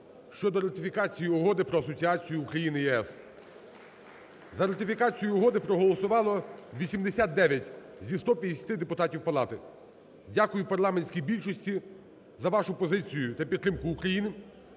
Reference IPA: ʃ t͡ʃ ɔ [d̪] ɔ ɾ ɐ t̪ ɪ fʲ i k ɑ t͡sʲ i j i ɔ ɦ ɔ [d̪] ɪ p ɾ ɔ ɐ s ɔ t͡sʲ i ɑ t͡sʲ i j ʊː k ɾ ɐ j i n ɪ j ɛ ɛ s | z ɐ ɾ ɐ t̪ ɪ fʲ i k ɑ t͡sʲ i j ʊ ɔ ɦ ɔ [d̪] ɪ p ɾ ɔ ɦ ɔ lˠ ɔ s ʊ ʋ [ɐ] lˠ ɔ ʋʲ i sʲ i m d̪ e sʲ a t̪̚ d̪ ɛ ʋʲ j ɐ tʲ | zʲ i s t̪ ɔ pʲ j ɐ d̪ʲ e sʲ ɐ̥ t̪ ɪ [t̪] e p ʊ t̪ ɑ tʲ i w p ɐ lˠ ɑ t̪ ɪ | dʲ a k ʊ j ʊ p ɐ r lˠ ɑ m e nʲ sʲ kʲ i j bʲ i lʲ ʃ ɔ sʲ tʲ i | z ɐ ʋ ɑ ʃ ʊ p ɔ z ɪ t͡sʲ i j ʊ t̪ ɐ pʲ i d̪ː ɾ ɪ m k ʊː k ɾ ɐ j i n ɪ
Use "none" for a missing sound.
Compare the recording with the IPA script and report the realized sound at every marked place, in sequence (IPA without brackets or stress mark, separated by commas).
d̪, d̪, d̪, ɑ, d̪